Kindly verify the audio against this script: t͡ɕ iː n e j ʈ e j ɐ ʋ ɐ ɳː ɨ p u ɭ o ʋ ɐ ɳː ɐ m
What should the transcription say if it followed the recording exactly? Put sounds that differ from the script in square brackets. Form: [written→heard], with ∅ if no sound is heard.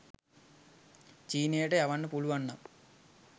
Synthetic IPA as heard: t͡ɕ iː n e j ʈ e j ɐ ʋ ɐ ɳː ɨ p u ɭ [o→u] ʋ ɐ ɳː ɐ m